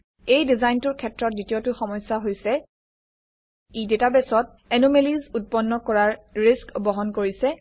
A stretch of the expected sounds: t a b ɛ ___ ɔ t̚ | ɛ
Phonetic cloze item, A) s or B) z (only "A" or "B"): A